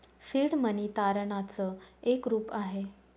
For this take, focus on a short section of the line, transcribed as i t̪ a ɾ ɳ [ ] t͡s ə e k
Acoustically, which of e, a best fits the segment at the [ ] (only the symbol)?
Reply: a